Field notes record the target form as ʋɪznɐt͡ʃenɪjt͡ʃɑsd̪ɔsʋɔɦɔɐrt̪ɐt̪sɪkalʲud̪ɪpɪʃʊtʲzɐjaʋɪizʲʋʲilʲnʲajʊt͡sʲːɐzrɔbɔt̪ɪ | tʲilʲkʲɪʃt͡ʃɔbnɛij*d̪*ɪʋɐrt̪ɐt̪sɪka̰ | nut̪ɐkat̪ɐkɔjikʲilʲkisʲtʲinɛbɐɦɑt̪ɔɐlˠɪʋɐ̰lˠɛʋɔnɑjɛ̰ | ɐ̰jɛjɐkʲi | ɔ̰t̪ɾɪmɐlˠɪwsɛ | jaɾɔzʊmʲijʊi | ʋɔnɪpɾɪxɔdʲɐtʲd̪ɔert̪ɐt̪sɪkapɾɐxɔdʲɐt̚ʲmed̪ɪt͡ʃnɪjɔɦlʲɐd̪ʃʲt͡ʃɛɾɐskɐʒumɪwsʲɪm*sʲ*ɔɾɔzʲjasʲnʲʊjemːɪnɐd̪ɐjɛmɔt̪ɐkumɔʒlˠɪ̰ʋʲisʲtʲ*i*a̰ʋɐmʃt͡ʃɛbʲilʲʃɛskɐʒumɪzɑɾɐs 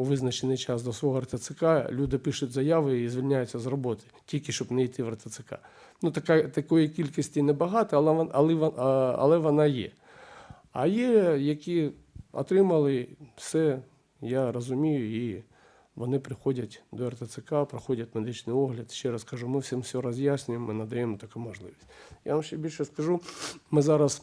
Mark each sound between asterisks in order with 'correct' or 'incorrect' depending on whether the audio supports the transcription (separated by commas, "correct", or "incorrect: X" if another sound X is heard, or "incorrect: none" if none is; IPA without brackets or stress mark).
incorrect: t̪, correct, incorrect: j